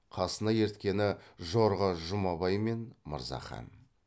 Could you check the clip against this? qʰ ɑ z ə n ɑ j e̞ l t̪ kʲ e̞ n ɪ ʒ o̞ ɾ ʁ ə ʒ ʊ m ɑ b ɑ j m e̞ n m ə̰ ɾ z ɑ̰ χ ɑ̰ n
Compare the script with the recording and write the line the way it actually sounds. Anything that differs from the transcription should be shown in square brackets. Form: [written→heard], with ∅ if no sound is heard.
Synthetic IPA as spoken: qʰ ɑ [z→s] ə n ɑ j e̞ [l→ɾ] t̪ kʲ e̞ n ɪ ʒ o̞ ɾ ʁ ə ʒ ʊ m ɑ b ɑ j m e̞ n m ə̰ ɾ z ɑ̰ χ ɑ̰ n